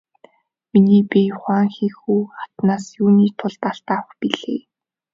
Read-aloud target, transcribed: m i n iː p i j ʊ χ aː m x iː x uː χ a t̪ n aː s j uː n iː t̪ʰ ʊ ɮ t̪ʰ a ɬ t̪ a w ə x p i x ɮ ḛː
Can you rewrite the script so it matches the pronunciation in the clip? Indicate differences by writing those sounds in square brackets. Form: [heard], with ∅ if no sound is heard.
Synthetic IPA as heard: m i n iː p i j ʊ χ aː [ŋ] x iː x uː χ a t̪ n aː s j uː n iː t̪ʰ ʊ ɮ [t̪] a ɬ t̪ a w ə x p i [∅] ɮ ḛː

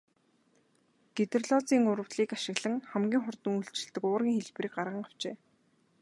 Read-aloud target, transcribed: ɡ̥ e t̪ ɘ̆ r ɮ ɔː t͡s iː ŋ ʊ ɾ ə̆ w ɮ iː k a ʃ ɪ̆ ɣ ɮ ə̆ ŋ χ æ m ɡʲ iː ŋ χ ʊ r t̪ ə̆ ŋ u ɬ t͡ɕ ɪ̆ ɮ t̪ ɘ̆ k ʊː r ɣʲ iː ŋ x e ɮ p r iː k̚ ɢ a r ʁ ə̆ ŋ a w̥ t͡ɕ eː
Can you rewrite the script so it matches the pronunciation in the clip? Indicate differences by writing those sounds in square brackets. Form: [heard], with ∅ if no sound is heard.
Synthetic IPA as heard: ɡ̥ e t̪ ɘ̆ r ɮ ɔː t͡s iː ŋ ʊ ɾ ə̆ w ɮ iː k a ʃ ɪ̆ ɣ ɮ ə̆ ŋ χ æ m ɡʲ iː ŋ χ ʊ r t̪ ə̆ ŋ u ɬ t͡ɕ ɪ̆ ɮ t̪ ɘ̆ k ʊː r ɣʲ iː ŋ x e ɮ p r iː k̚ ɢ a r ʁ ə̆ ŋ a w̥ t͡ɕ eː

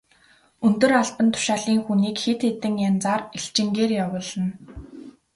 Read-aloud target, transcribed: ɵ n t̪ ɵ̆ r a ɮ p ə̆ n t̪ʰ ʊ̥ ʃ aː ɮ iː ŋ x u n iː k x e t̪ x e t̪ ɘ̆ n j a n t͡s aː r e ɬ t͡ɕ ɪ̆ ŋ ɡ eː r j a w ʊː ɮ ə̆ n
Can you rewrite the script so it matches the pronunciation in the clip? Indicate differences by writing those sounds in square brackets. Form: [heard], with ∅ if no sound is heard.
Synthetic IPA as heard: ɵ n t̪ ɵ̆ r a ɮ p ə̆ n t̪ʰ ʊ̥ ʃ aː ɮ iː ŋ x u n iː k x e t̪ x e t̪ ɘ̆ [ŋ] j a n t͡s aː r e ɬ t͡ɕ ɪ̆ ŋ ɡ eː r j a w ʊː ɮ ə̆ n

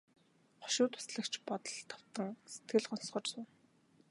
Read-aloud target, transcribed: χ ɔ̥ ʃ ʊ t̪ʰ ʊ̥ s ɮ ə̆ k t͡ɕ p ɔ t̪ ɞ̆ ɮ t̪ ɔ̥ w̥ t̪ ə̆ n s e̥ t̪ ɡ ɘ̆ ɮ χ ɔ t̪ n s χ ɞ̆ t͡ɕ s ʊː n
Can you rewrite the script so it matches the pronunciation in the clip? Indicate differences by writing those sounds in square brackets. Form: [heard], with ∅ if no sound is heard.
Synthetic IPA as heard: χ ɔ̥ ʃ [ʊː] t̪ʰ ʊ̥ s ɮ ə̆ k t͡ɕ p ɔ t̪ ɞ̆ ɮ [t̪ʰ] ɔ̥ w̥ t̪ ə̆ [ŋ] s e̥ t̪ ɡ ɘ̆ ɮ χ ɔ [∅] n s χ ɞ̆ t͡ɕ s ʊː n

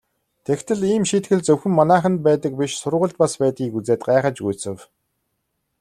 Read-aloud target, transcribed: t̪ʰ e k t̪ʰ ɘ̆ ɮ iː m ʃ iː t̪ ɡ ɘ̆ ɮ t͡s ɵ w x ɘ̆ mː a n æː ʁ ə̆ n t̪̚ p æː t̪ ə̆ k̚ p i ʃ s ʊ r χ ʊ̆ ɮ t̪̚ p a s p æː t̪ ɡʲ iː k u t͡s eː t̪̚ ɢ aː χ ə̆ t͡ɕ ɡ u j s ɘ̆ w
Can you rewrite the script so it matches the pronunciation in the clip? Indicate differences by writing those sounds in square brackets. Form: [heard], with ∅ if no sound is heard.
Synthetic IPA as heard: t̪ʰ e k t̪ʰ ɘ̆ ɮ iː m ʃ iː t̪ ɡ ɘ̆ ɮ t͡s ɵ w x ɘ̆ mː a n æː [χ] ə̆ n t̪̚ p æː t̪ ə̆ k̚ p i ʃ s ʊ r [ʁ] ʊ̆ ɮ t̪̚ p a s p æː t̪ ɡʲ iː k u t͡s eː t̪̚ ɢ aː χ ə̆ t͡ɕ ɡ u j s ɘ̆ w

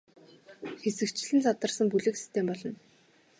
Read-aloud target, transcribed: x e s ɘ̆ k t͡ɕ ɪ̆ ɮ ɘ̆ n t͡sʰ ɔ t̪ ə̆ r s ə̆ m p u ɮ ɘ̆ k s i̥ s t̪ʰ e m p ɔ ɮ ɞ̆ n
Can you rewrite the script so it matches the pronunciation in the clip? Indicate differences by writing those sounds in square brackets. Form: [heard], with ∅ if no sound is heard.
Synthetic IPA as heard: x e s ɘ̆ k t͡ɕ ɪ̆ ɮ ɘ̆ n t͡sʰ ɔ t̪ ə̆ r s ə̆ m p u ɮ ɘ̆ k s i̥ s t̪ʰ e m p ɔ ɮ ɞ̆ n

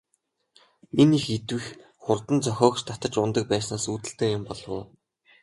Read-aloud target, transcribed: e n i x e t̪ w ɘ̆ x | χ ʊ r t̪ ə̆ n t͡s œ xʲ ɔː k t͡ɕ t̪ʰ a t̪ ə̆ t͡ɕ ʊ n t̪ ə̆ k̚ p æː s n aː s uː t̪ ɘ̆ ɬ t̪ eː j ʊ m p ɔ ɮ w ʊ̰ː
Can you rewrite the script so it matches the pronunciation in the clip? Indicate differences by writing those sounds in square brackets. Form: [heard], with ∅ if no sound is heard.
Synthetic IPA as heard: e n i x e t̪ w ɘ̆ x | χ ʊ r t̪ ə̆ n t͡s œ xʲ ɔː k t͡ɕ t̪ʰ a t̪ ə̆ t͡ɕ ʊ n t̪ ə̆ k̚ p æː s n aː s uː t̪ ɘ̆ ɬ t̪ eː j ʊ m p ɔ ɮ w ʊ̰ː

